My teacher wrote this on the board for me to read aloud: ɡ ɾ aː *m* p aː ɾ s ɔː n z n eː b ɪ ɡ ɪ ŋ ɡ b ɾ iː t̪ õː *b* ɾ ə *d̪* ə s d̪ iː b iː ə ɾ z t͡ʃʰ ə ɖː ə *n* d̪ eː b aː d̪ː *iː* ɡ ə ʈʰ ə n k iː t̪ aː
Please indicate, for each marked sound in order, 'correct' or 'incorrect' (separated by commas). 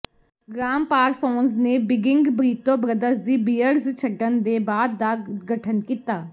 correct, correct, correct, correct, incorrect